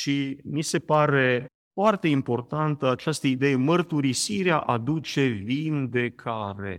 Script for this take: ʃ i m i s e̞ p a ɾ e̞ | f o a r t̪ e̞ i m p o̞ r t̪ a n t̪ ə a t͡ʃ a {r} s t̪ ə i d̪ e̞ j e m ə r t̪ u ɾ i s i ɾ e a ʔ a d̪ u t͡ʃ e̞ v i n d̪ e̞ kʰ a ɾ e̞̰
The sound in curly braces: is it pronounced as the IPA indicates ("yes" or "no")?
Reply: no